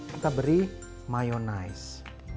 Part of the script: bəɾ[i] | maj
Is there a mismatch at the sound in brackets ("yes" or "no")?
no